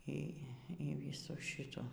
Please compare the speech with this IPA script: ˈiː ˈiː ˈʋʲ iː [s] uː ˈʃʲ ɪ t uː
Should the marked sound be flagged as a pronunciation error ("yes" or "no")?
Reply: no